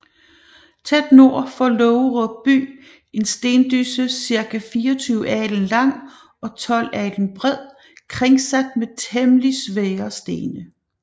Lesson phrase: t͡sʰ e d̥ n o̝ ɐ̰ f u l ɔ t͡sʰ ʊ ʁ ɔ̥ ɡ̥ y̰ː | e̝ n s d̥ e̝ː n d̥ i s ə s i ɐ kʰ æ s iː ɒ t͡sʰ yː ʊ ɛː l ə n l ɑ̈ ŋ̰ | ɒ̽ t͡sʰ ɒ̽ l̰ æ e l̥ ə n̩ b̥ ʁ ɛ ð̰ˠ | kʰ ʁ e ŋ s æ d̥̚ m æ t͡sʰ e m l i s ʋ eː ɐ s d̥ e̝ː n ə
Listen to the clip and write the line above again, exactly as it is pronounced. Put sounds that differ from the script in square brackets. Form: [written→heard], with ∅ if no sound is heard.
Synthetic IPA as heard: t͡sʰ e d̥ n o̝ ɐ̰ f [u→ɒ] l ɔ [t͡sʰ→∅] ʊ ʁ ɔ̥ [ɡ̥→b̥] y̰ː | e̝ n s d̥ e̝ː n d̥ [i→y] s ə s i ɐ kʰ æ [s→f] iː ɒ t͡sʰ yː ʊ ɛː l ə n l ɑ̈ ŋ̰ | ɒ̽ t͡sʰ ɒ̽ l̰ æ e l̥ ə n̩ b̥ ʁ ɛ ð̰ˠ | kʰ ʁ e ŋ s æ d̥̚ m [æ→e] t͡sʰ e m l i s ʋ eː ɐ s d̥ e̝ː n ə